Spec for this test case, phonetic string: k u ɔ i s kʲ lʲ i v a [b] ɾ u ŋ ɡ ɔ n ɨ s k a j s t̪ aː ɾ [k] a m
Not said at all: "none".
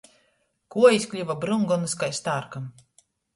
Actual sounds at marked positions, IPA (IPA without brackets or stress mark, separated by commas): b, k